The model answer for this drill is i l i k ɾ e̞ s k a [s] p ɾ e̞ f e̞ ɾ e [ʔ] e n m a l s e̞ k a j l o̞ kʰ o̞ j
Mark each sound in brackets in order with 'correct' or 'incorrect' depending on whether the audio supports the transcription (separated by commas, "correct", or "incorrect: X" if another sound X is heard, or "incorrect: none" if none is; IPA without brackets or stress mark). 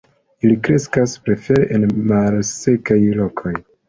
correct, correct